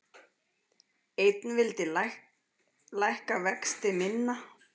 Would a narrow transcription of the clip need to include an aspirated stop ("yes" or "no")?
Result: no